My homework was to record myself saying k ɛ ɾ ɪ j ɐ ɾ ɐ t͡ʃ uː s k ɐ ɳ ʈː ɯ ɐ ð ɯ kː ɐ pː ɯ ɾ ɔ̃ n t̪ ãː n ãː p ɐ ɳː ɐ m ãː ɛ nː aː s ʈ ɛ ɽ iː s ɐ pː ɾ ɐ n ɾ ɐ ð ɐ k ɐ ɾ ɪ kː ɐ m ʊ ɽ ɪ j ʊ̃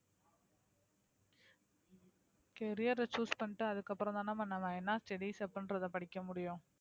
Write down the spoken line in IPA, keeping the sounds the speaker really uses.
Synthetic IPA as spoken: k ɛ ɾ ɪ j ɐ ɾ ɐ t͡ʃ uː s p ɐ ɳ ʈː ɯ ɐ ð ɯ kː ɐ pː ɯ ɾ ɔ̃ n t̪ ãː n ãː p ɐ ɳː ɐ m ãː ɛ nː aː s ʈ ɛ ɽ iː s ɐ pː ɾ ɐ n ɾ ɐ ð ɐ p ɐ ɽ ɪ kː ɐ m ʊ ɽ ɪ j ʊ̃